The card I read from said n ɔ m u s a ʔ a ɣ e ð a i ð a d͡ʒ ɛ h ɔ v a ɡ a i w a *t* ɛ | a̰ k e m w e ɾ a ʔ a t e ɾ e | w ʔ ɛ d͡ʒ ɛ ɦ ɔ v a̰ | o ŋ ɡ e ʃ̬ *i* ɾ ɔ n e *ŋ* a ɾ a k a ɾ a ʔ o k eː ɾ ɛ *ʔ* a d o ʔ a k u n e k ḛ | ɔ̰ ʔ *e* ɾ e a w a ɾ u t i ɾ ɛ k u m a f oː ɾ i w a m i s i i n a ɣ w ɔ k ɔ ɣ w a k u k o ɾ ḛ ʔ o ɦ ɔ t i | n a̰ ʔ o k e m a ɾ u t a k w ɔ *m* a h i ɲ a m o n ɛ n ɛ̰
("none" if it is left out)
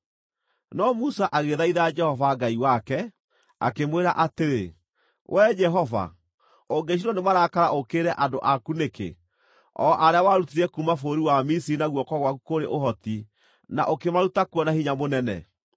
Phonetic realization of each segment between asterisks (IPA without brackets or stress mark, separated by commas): k, i, m, ʔ, a, n